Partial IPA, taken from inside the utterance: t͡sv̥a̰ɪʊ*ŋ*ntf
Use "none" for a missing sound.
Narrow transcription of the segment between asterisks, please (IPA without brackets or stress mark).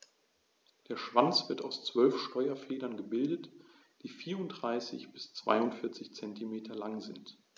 none